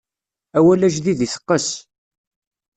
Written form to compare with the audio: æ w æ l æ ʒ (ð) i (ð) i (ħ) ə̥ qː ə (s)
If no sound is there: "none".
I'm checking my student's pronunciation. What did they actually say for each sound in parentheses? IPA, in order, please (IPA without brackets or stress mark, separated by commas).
ð, ð, θ, s